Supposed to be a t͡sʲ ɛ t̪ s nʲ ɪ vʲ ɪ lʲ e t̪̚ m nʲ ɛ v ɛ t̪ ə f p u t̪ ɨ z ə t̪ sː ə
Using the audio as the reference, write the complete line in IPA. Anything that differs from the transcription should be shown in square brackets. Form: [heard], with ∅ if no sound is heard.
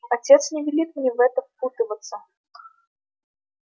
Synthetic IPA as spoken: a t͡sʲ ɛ t̪ s nʲ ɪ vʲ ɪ lʲ [i] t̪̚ m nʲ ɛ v ɛ t̪ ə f p u t̪ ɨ [v] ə t̪ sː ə